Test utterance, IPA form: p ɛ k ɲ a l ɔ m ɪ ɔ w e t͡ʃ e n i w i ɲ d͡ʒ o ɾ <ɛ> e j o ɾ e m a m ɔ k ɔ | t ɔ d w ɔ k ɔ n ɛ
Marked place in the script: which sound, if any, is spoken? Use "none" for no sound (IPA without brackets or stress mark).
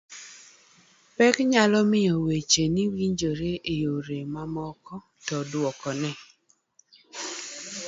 e